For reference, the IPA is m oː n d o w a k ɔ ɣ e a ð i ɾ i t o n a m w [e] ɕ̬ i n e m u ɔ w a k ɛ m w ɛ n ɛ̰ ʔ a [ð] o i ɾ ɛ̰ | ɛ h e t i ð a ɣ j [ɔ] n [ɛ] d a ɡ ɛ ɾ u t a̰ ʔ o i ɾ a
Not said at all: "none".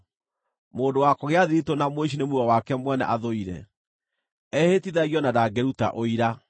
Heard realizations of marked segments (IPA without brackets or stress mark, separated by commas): e, ð, ɔ, a